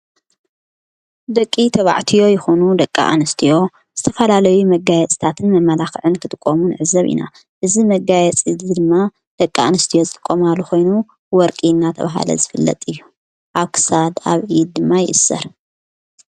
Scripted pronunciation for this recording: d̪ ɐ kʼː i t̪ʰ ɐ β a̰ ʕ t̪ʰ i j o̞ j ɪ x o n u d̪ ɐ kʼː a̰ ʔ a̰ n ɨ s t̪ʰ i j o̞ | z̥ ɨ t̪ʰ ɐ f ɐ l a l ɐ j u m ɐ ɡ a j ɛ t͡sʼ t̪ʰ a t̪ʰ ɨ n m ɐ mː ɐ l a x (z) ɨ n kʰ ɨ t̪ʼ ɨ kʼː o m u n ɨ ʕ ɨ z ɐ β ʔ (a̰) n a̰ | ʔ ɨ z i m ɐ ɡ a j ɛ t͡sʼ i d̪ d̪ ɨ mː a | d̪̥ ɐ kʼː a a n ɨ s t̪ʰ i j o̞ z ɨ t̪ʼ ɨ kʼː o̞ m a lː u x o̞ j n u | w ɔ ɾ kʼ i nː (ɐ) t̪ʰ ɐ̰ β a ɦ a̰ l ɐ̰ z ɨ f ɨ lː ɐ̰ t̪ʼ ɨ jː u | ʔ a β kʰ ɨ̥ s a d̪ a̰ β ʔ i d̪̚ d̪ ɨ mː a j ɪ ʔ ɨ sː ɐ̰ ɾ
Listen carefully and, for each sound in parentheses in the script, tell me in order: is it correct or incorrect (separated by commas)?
incorrect, incorrect, incorrect